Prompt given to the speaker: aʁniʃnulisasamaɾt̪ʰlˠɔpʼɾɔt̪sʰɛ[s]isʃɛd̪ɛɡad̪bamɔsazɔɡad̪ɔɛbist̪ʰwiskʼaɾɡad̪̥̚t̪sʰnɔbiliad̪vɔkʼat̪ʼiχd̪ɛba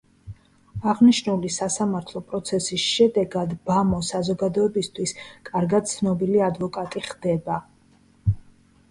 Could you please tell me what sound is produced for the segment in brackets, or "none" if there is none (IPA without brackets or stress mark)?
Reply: s